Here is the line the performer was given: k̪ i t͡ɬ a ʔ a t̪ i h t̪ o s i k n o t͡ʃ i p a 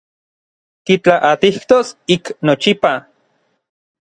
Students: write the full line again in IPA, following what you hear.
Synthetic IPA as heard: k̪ i t͡ɬ a ʔ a t̪ i h t̪ o s i k n o t͡ʃ i p a